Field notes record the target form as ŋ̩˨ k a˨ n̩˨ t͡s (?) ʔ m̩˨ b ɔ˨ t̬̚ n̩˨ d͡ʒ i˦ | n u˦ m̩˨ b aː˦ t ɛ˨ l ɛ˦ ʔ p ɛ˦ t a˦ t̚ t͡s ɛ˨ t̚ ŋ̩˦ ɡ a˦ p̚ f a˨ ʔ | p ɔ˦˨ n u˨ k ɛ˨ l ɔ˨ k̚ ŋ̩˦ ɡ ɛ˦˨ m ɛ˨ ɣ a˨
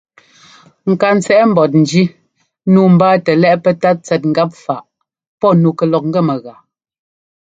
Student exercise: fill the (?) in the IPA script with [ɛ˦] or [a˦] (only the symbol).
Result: ɛ˦